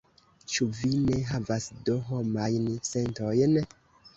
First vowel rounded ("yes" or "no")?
yes